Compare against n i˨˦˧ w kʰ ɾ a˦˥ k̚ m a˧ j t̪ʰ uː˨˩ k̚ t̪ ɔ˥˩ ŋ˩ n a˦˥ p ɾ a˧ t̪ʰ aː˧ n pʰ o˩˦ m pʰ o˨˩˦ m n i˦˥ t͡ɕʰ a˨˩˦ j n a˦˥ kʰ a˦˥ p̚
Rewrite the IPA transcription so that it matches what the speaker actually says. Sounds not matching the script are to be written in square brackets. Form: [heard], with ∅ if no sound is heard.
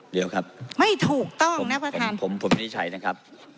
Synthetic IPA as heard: [d] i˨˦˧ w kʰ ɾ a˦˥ [p̚] m [a˥˩] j t̪ʰ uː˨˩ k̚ t̪ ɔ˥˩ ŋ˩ n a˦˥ p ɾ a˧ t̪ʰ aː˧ n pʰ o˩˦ m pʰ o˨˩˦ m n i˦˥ t͡ɕʰ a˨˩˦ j n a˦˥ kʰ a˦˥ p̚